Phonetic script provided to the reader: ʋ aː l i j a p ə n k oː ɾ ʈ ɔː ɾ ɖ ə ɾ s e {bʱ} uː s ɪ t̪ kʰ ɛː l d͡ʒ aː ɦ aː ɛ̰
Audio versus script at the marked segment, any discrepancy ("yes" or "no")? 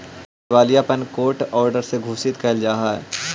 yes